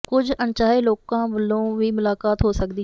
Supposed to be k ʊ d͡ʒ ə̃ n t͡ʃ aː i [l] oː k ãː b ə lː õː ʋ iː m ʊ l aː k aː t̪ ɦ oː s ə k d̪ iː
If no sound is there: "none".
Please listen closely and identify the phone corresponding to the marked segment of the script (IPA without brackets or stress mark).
l